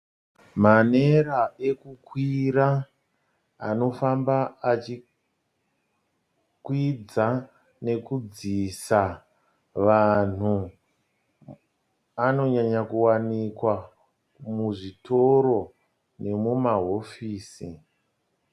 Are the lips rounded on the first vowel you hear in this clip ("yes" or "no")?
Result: no